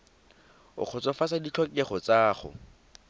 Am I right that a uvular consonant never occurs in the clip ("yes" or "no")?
no